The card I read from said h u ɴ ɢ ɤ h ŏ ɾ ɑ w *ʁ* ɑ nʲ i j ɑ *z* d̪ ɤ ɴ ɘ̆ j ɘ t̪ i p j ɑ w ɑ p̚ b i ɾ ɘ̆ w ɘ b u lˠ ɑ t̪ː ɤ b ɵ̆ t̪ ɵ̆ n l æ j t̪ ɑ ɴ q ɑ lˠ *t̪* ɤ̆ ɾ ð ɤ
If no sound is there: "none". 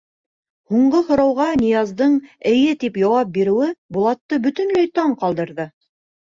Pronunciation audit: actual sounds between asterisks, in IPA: ʁ, z, d̪

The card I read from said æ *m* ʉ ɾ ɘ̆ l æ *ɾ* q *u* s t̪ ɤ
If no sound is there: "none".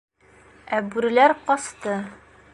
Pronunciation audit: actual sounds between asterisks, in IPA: b, ɾ, ɒ

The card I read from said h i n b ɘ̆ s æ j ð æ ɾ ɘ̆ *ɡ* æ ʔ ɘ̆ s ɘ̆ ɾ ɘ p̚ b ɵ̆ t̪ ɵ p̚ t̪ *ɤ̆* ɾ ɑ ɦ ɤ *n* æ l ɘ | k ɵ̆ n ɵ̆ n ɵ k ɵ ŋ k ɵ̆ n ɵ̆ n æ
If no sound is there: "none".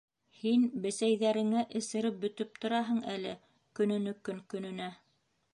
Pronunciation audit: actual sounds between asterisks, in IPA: ŋ, ŏ, ɴ

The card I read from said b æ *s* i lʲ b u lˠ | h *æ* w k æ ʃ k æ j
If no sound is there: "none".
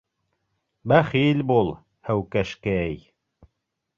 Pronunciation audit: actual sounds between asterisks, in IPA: χ, æ

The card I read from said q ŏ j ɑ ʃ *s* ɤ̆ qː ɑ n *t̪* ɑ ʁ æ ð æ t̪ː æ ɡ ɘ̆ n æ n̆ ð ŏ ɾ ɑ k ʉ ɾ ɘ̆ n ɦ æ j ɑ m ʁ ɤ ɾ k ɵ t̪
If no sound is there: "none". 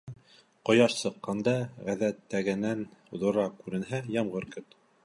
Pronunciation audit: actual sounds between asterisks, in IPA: s, d̪

